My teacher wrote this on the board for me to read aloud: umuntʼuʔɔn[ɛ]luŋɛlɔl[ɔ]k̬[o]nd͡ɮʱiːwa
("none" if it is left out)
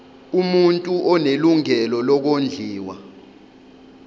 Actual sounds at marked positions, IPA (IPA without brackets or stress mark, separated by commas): e, ɔ, o